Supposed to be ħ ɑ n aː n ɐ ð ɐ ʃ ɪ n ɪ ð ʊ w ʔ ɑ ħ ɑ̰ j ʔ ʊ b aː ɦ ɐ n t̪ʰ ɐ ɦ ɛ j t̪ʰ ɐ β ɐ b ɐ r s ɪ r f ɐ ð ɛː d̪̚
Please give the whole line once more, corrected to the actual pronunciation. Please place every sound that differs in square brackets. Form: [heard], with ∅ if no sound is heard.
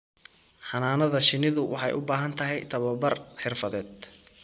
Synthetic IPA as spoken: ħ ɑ n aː n ɐ ð ɐ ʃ ɪ n ɪ ð ʊ w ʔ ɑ ħ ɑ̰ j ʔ ʊ b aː ɦ ɐ n t̪ʰ ɐ ɦ ɛ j t̪ʰ ɐ β ɐ b ɐ r [ħ] ɪ r f ɐ ð ɛː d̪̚

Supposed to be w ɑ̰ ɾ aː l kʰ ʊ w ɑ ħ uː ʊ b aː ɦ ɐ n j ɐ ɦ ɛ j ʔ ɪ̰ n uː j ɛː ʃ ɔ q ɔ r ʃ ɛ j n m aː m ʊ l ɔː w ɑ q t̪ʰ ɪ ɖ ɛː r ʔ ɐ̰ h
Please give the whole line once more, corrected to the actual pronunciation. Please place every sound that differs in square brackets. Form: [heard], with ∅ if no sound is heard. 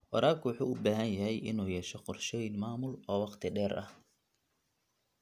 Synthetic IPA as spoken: w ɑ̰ ɾ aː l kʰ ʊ w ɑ ħ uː ʊ b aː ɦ ɐ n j ɐ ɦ ɛ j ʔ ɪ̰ n uː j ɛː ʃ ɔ q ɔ r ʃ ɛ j n m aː m ʊ l ɔː w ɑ q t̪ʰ ɪ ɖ ɛː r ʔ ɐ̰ h

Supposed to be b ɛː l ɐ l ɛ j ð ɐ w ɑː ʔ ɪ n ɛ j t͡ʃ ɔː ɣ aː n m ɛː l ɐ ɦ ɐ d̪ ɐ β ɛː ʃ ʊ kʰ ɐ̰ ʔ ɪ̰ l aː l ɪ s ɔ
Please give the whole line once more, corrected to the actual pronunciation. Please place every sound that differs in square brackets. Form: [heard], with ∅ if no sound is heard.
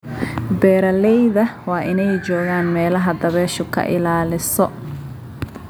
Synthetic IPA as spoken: b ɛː [ɾ] ɐ l ɛ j ð ɐ w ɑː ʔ ɪ n ɛ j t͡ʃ ɔː ɣ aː n m ɛː l ɐ ɦ ɐ d̪ ɐ β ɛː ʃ ʊ kʰ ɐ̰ ʔ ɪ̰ l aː l ɪ s ɔ

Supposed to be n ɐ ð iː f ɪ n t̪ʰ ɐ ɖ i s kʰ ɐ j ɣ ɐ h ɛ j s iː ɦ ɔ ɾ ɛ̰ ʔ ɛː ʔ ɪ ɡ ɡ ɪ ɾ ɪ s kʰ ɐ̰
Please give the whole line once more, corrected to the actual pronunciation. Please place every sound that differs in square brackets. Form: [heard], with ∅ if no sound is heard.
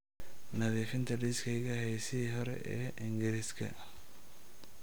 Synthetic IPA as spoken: n ɐ ð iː f ɪ n t̪ʰ ɐ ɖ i s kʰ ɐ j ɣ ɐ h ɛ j s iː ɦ ɔ ɾ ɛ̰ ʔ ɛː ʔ ɪ [ŋ] ɡ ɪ ɾ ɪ s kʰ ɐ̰

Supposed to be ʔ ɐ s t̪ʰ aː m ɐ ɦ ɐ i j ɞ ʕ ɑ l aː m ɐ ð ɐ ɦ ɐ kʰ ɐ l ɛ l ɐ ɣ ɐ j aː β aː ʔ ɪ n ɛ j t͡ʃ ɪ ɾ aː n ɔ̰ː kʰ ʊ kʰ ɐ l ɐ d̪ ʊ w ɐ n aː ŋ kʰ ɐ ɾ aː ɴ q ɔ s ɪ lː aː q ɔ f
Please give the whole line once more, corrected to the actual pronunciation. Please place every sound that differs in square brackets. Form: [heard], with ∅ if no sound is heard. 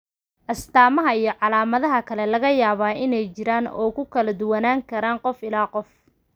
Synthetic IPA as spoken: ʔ ɐ s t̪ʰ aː m ɐ ɦ ɐ i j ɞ ʕ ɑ l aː m ɐ ð ɐ ɦ ɐ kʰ ɐ l ɛ l ɐ ɣ ɐ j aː β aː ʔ ɪ n ɛ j t͡ʃ ɪ ɾ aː n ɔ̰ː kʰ ʊ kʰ ɐ l ɐ d̪ ʊ w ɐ n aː ŋ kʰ ɐ ɾ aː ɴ q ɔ [f] ɪ [l] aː q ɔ f

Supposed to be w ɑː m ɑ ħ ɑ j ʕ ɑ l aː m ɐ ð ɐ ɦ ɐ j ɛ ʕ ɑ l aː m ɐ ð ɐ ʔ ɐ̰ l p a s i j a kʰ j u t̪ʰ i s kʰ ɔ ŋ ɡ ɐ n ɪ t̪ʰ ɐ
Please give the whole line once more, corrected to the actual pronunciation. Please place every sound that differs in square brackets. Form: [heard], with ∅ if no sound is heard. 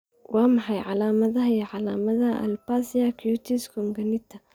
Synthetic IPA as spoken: w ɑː m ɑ ħ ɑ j ʕ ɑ l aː m ɐ ð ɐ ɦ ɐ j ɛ ʕ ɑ l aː m ɐ ð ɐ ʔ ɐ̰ l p a s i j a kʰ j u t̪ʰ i s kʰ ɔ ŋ ɡ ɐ n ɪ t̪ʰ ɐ

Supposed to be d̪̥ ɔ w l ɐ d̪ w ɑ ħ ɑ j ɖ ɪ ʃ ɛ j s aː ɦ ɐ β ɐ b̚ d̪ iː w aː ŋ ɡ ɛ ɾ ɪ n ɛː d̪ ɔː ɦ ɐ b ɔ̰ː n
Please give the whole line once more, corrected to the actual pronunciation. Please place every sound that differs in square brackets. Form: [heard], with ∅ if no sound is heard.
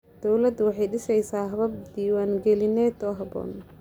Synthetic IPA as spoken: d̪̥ ɔ w l ɐ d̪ w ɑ ħ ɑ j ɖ ɪ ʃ ɛ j s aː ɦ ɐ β ɐ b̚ d̪ iː w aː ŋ ɡ ɛ [l] ɪ n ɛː d̪ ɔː ɦ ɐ b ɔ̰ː n

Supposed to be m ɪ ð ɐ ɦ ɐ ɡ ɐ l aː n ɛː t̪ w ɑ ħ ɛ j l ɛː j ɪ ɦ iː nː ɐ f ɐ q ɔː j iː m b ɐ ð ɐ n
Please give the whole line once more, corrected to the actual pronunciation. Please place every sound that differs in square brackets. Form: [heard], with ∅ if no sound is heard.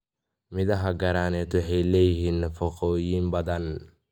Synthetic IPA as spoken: m ɪ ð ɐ ɦ ɐ ɡ ɐ [ɾ] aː n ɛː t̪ w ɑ ħ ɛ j l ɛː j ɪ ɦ iː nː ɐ f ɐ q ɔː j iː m b ɐ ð ɐ n

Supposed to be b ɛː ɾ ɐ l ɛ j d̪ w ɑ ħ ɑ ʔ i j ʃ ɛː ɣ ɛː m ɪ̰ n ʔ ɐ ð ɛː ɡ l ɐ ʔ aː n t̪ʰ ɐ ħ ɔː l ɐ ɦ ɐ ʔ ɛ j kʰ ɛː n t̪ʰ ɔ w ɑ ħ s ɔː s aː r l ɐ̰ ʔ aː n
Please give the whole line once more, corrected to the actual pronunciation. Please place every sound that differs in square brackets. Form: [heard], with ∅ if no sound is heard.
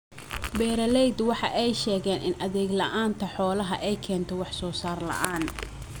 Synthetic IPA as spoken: b ɛː ɾ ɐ l ɛ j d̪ w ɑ ħ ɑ ʔ [ɛ] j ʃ ɛː ɣ ɛː [n] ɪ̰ n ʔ ɐ ð ɛː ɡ l ɐ ʔ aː n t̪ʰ ɐ ħ ɔː l ɐ ɦ ɐ ʔ ɛ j kʰ ɛː n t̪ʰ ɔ w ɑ ħ s ɔː s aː r l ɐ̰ ʔ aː n

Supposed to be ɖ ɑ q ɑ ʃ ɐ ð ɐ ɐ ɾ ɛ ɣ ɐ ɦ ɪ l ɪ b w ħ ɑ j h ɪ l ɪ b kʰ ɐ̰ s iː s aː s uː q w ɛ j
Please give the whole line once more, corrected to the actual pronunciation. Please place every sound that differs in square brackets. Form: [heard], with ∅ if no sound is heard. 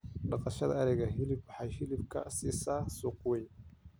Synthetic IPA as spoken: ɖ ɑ q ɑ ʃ ɐ ð ɐ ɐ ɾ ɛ ɣ ɐ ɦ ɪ l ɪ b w ħ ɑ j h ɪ l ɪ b kʰ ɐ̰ s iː s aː s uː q w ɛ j

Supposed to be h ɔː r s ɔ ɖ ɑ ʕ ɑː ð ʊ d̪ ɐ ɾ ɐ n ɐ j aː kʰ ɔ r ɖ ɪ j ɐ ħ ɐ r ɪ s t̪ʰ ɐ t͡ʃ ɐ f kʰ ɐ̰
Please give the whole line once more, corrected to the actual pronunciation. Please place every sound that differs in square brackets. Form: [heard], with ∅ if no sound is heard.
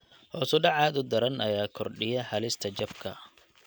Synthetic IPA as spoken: h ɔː [∅] s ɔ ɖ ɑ ʕ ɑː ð ʊ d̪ ɐ ɾ ɐ n ɐ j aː kʰ ɔ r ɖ ɪ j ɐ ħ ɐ [l] ɪ s t̪ʰ ɐ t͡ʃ ɐ f kʰ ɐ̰

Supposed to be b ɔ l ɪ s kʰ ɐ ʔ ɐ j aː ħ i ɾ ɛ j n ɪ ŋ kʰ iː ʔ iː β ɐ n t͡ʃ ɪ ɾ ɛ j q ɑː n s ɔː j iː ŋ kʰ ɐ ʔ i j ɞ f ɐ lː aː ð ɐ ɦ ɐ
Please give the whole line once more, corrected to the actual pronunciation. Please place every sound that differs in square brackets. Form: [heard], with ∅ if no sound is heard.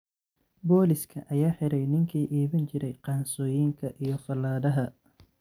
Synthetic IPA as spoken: b [ɔː] l ɪ s kʰ ɐ ʔ ɐ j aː ħ [ɪ] ɾ ɛ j n ɪ ŋ kʰ iː ʔ iː β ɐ n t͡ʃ ɪ ɾ ɛ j q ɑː n s ɔː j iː ŋ kʰ ɐ ʔ i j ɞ f ɐ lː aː ð ɐ ɦ ɐ

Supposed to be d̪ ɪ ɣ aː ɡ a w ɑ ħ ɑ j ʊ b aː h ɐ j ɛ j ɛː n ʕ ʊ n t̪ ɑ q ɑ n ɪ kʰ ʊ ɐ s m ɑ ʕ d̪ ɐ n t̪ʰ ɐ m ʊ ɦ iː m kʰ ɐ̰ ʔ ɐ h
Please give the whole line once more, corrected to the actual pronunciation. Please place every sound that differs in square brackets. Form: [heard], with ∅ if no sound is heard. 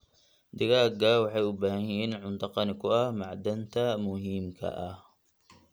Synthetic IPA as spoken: d̪ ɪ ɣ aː ɡ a w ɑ ħ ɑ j ʊ b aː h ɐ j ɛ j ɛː n ʕ ʊ n t̪ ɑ q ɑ n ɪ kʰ ʊ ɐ [h] m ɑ ʕ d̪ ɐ n t̪ʰ ɐ m ʊ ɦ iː m kʰ ɐ̰ ʔ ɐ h

